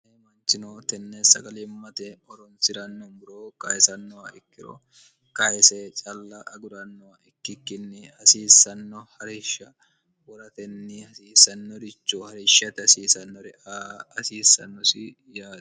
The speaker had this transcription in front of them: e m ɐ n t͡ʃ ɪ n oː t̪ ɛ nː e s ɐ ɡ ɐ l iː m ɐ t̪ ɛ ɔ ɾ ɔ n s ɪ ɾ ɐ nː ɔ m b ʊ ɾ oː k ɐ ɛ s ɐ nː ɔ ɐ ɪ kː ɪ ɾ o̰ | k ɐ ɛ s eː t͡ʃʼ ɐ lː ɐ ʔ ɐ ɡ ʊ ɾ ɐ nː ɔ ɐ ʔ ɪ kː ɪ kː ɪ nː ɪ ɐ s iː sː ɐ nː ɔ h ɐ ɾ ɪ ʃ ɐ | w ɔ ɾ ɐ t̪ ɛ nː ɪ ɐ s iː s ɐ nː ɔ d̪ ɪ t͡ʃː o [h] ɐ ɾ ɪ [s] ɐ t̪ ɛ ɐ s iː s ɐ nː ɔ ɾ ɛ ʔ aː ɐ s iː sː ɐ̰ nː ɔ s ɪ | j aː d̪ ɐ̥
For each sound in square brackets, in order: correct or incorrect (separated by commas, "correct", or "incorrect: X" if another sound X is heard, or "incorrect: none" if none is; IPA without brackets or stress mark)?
correct, incorrect: ʃ